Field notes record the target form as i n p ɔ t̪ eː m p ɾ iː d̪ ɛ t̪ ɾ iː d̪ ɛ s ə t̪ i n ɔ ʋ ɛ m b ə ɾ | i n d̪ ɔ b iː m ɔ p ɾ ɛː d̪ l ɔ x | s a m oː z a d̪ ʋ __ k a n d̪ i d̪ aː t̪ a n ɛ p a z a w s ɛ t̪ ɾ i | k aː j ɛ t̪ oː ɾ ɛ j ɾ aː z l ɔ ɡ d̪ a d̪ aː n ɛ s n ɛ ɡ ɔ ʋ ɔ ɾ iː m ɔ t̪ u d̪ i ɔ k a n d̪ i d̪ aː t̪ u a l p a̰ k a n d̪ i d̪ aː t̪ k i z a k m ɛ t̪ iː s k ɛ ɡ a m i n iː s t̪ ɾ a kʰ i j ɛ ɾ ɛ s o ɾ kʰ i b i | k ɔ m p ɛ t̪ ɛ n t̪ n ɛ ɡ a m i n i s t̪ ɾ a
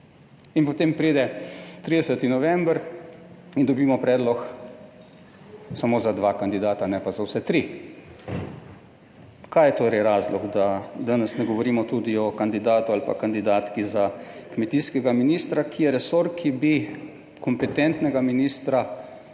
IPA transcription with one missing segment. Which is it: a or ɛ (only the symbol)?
a